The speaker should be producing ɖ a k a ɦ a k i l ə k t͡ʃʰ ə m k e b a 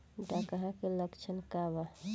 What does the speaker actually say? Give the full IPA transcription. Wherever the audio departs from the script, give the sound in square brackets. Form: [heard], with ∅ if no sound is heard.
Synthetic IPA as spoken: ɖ a k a ɦ a k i l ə k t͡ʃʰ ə [n] k [a] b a